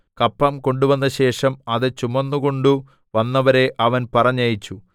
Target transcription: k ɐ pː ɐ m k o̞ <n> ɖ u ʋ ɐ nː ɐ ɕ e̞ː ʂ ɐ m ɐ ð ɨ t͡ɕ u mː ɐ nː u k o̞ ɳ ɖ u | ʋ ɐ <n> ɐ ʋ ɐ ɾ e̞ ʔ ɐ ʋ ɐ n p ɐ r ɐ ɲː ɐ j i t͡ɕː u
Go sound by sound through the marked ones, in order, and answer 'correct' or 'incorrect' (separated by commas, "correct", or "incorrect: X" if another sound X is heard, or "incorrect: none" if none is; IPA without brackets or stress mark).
incorrect: ɳ, incorrect: nː